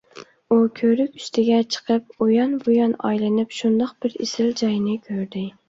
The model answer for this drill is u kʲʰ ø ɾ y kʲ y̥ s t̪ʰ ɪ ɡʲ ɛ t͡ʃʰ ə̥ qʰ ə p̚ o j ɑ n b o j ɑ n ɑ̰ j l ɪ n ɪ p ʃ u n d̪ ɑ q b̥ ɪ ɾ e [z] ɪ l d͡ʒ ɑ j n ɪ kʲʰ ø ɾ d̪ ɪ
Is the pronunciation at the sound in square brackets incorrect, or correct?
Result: incorrect: s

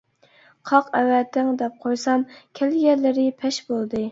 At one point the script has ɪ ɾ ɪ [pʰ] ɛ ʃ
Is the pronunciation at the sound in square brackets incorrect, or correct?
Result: correct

